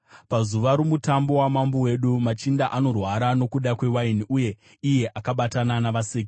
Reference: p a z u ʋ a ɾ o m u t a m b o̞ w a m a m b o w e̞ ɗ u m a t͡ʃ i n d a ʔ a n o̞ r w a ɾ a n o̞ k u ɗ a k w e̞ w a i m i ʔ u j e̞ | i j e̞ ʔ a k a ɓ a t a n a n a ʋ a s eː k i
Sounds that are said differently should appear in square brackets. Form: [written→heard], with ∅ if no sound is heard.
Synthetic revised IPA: p a z u ʋ a ɾ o m u t a m b o̞ w a m a m b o w e̞ ɗ u m a t͡ʃ i n d a ʔ a n o̞ r w a ɾ a n o̞ k u ɗ a k w e̞ w a i [m→n] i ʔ u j e̞ | i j e̞ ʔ a k a ɓ a t a n a n a ʋ a s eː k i